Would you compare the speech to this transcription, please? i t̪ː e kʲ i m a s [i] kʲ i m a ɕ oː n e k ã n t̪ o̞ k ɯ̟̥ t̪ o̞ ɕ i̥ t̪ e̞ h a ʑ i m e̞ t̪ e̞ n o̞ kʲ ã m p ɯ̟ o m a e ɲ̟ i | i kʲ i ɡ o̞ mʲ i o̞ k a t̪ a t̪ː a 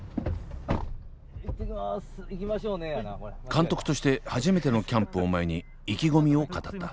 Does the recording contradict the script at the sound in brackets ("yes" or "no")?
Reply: no